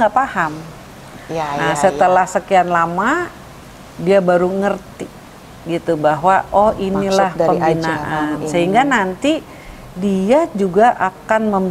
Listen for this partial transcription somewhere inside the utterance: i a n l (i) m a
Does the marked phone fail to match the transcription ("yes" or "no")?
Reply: yes